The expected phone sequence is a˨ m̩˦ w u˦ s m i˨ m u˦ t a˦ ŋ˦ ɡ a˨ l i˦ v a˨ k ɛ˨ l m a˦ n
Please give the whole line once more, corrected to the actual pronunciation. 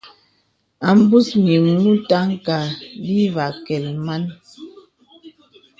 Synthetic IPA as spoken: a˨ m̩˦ b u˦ s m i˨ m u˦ t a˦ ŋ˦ k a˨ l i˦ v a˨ k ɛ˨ l m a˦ n